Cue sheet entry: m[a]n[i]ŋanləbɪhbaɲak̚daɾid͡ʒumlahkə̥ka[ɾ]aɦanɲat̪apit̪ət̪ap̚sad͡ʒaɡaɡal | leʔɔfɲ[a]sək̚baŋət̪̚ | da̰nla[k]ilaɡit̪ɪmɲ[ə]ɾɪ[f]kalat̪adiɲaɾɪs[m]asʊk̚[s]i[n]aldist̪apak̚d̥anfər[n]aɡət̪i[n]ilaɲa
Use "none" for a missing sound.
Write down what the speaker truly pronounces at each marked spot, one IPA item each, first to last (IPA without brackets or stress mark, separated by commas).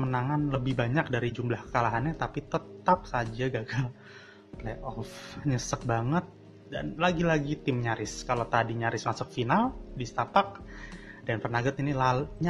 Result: ə, a, l, ə, ɡ, a, s, m, f, n, n, n